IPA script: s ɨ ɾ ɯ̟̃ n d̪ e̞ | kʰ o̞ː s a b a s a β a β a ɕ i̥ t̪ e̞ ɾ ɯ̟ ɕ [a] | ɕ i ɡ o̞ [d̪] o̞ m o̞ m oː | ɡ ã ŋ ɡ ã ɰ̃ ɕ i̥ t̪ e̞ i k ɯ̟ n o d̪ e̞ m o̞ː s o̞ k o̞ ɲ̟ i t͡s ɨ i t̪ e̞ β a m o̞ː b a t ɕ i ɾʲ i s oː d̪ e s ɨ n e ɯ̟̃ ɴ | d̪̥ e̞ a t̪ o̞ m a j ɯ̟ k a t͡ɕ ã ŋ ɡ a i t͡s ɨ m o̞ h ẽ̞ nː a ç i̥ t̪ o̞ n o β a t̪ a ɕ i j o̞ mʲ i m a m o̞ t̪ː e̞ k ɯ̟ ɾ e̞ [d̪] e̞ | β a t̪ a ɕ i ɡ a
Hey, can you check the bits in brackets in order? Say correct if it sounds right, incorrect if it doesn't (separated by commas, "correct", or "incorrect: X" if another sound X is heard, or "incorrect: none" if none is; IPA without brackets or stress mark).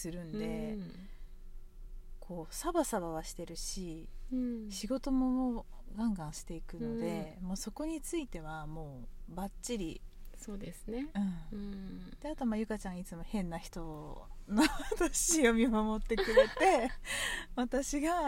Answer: incorrect: i, incorrect: t̪, incorrect: t̪